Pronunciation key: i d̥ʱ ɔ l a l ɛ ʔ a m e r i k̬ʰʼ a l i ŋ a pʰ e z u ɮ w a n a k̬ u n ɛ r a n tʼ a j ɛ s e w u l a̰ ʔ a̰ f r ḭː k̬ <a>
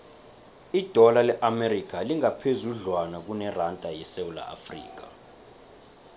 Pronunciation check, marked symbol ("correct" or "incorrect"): correct